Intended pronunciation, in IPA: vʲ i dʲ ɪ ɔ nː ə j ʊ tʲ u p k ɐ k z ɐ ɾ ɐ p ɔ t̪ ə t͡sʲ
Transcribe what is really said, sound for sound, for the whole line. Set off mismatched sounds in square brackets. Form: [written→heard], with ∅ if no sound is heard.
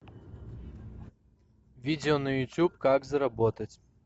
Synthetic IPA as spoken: vʲ i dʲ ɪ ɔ [nː→n] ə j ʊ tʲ u p k [ɐ→a] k z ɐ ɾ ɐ [p→b] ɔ t̪ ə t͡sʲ